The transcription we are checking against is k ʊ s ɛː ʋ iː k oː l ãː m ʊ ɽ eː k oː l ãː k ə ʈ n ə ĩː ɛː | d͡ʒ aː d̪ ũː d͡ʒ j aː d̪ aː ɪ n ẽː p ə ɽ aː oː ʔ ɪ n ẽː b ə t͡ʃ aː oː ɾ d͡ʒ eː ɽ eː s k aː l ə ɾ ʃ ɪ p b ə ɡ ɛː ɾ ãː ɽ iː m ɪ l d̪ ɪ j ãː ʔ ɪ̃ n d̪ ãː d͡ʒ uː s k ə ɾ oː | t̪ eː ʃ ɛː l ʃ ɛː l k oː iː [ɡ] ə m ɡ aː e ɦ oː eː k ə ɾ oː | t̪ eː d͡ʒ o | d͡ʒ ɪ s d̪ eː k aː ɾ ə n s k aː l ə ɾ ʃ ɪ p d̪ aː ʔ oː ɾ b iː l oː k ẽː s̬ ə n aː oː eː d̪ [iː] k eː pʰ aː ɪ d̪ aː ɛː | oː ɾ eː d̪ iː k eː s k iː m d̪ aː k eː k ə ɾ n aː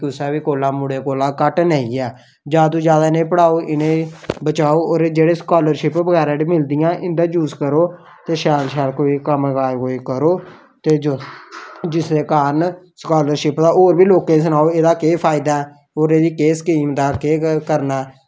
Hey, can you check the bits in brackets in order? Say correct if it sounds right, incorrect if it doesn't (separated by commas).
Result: incorrect, incorrect